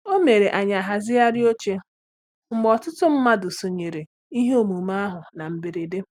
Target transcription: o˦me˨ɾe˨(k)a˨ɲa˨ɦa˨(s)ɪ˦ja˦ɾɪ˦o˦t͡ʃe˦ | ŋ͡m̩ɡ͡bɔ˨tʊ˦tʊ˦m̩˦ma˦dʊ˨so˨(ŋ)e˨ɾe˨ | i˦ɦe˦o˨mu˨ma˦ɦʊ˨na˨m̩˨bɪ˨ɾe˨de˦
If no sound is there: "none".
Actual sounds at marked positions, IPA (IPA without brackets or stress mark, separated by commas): ʔ, z, ɲ